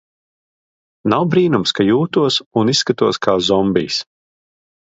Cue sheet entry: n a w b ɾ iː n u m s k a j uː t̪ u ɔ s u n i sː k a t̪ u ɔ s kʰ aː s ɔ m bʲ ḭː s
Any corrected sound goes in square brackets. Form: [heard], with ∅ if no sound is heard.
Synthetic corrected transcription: n a w b ɾ iː n u m s k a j uː t̪ u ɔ s u n i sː k a t̪ u ɔ s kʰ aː [z] ɔ m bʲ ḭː s